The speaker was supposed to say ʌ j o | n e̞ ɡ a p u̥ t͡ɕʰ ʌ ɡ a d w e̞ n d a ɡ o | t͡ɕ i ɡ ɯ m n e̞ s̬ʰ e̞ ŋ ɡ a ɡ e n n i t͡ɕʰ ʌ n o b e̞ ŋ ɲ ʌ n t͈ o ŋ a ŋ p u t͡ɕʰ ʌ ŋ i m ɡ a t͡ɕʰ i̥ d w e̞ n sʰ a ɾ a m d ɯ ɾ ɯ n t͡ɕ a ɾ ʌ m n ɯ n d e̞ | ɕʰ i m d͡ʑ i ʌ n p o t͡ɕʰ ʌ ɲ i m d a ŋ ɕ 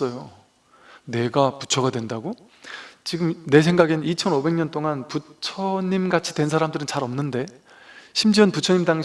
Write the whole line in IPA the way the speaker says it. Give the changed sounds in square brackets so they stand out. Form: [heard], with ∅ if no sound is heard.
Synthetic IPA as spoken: ʌ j o | n e̞ ɡ a p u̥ t͡ɕʰ ʌ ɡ a d w e̞ n d a ɡ o | t͡ɕ i ɡ ɯ m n e̞ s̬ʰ e̞ ŋ ɡ a ɡ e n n i t͡ɕʰ ʌ n o b e̞ ŋ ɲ ʌ n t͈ o ŋ a [n] p u t͡ɕʰ ʌ [ɲ] i m ɡ a t͡ɕʰ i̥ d w e̞ n sʰ a ɾ a m d ɯ ɾ ɯ n t͡ɕ a ɾ ʌ m n ɯ n d e̞ | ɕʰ i m d͡ʑ i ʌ n p [u] t͡ɕʰ ʌ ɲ i m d a ŋ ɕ